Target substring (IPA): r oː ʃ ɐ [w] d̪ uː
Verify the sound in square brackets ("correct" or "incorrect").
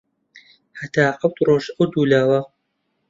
correct